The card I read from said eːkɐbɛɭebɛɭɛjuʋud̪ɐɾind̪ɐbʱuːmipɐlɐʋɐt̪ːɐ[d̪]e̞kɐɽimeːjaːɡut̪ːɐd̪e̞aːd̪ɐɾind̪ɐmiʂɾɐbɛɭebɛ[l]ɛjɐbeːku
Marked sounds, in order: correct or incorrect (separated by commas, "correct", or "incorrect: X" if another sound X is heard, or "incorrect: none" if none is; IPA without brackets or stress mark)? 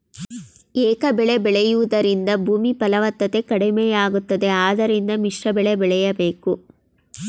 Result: incorrect: t̪, incorrect: ɭ